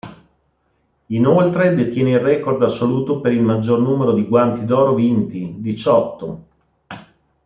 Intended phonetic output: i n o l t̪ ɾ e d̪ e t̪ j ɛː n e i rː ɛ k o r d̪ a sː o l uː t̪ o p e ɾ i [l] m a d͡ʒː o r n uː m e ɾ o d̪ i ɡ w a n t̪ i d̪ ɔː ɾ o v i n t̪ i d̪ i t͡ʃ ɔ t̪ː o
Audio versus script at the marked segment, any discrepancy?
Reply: no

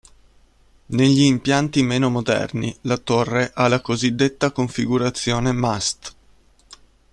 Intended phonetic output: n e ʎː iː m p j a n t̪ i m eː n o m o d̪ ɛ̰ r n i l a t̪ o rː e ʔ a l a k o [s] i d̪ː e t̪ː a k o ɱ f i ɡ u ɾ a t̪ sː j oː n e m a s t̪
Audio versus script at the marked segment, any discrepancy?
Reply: yes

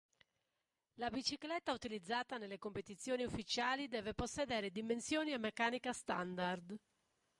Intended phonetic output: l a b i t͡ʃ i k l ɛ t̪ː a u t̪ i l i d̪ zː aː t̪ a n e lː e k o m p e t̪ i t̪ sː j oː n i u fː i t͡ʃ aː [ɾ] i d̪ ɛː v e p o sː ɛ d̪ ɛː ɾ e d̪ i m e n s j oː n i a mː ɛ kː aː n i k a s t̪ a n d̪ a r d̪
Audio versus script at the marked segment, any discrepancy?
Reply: yes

